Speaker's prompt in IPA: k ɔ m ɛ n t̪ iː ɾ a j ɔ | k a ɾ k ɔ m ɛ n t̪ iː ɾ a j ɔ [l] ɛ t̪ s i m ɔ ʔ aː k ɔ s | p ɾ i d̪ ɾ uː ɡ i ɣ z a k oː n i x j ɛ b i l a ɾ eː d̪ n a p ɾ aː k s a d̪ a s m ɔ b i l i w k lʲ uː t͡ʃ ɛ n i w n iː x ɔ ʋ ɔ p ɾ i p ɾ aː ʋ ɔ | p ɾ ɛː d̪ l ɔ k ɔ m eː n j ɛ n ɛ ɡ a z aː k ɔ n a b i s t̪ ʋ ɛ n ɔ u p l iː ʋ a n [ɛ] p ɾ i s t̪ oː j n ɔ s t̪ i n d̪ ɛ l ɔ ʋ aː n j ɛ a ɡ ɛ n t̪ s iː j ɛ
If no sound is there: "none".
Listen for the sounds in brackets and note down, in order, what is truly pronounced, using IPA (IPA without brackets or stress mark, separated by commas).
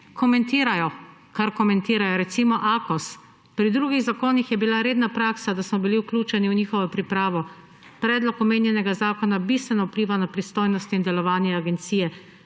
ɾ, a